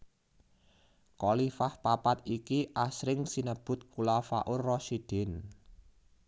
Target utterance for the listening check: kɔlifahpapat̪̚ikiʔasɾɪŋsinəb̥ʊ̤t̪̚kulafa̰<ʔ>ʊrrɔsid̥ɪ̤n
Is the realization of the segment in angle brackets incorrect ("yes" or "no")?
no